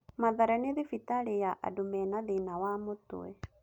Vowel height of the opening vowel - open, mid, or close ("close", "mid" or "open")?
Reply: open